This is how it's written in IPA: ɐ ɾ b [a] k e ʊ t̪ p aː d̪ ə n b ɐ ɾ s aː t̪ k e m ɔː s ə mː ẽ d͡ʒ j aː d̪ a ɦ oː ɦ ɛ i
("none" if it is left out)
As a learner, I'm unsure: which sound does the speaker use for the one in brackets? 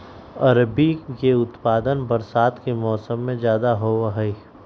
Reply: i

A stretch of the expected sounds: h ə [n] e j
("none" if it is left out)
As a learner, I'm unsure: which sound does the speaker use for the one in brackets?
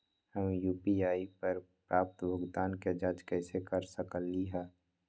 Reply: m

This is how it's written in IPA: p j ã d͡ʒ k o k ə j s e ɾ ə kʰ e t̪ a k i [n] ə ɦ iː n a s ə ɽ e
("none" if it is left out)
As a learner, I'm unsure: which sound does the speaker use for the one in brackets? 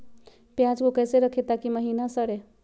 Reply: m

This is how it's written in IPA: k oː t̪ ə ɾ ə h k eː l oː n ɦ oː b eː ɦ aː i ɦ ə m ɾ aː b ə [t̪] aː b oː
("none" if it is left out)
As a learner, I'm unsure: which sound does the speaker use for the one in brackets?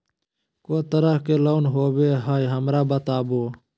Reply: t̪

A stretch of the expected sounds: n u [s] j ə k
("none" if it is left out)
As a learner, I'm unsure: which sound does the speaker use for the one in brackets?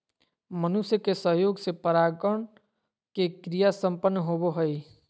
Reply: s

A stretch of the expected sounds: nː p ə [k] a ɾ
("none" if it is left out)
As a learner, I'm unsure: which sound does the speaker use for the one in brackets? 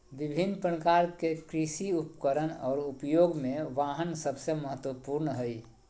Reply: k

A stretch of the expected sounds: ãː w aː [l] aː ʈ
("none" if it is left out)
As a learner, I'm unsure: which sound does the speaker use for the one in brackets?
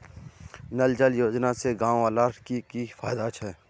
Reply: l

